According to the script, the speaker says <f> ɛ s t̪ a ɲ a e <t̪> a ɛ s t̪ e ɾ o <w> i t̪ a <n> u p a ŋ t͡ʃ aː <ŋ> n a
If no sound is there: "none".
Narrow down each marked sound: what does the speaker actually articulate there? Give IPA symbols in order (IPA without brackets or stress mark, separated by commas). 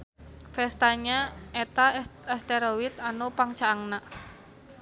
f, t̪, w, n, ŋ